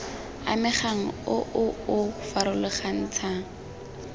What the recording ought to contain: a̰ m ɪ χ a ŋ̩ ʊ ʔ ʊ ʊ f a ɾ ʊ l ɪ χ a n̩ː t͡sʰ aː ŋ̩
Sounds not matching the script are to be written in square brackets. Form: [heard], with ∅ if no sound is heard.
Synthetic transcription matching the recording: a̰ m ɪ χ a ŋ̩ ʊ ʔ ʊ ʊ f a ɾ ʊ l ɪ χ a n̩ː t͡sʰ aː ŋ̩

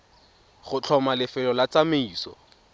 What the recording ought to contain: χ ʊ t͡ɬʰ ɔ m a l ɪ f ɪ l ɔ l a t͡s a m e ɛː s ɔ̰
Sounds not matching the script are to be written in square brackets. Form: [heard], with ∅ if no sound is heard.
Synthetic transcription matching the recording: χ ʊ t͡ɬʰ ɔ m a l ɪ f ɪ l ɔ l a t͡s a m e [iː] s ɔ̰

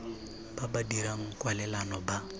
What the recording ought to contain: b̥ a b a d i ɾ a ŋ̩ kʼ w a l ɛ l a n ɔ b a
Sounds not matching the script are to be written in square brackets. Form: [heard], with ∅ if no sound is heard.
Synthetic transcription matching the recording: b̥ a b a d i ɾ a ŋ̩ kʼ w a l ɛ l a n ɔ b a

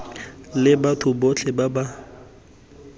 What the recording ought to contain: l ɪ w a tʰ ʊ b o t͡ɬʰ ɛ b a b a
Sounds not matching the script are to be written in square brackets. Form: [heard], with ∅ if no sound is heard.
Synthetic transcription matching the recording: l ɪ [b] a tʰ ʊ b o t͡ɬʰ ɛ b a b a

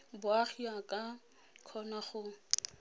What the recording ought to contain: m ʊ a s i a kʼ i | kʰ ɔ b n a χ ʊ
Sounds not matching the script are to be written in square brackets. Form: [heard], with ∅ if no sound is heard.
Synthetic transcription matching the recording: [b] ʊ a [χ] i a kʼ [a] | kʰ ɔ [∅] n a χ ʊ

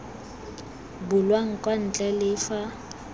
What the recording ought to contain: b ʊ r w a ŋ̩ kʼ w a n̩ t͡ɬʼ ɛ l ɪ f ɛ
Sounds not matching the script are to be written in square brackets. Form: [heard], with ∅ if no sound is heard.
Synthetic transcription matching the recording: b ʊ [l] w a ŋ̩ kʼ w a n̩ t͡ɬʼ ɛ l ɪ f [a]

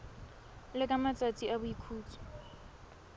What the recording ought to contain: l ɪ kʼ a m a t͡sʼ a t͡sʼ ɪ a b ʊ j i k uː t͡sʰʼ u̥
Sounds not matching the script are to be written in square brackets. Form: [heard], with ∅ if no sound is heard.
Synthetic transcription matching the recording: l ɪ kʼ a m a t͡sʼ a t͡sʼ [i] a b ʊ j i [kʰ] uː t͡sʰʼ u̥

